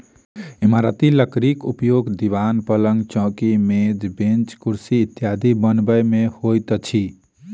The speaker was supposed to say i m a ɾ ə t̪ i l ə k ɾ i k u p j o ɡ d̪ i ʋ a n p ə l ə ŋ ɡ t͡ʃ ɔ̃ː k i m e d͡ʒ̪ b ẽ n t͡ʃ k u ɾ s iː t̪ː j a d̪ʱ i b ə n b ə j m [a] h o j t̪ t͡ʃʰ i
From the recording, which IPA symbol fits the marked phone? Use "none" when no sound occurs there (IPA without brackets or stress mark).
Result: e